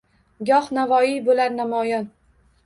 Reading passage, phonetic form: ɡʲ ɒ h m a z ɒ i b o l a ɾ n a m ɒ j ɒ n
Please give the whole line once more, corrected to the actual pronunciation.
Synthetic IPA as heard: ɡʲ ɒ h n a v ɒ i b o l a ɾ n a m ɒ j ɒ n